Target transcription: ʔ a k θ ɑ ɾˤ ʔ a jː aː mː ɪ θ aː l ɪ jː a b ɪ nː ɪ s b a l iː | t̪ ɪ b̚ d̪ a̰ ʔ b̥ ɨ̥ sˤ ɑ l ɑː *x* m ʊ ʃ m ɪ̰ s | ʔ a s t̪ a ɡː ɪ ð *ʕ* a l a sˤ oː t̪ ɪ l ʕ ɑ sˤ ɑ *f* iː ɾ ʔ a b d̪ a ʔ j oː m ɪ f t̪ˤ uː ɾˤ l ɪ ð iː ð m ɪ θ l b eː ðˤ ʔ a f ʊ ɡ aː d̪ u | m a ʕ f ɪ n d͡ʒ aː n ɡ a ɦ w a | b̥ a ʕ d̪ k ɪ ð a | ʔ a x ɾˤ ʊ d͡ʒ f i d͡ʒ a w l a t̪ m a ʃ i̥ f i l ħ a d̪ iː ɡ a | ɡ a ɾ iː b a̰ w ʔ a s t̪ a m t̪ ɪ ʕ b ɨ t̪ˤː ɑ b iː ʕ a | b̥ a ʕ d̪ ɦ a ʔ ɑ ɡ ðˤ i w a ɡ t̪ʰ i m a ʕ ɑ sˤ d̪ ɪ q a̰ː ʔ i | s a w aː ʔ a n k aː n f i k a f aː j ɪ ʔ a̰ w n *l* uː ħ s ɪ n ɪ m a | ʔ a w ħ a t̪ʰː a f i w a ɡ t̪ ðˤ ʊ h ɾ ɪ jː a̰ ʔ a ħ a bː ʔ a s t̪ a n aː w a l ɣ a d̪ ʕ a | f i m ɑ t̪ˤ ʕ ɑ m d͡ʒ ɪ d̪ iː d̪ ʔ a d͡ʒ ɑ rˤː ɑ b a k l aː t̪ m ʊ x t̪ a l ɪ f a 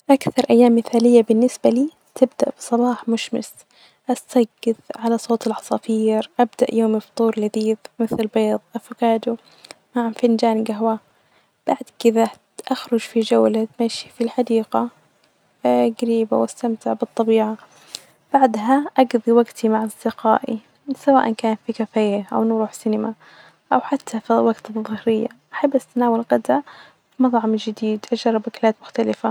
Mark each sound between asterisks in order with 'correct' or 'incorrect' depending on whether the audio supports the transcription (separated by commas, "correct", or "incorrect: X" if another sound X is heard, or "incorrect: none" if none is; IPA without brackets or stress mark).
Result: incorrect: ħ, correct, correct, incorrect: ɾ